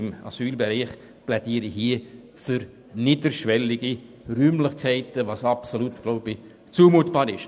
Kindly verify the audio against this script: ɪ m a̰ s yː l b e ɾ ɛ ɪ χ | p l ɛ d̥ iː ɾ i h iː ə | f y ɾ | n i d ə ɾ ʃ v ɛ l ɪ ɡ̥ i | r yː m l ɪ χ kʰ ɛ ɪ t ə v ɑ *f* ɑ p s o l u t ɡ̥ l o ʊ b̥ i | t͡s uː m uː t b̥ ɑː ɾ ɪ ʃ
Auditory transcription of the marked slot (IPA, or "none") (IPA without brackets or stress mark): s